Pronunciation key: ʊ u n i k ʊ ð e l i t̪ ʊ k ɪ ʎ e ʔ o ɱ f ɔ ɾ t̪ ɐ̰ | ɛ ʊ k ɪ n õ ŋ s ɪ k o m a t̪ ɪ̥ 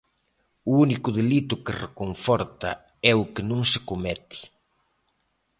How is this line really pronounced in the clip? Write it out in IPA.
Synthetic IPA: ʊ u n i k ʊ ð e l i t̪ ʊ k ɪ r e k o ɱ f ɔ ɾ t̪ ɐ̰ | ɛ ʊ k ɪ n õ ŋ s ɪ k o m ɛ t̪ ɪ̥